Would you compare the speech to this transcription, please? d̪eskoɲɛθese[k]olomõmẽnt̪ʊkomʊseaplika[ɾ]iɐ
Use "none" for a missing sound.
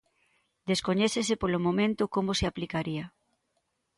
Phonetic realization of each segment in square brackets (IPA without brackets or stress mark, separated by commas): p, ɾ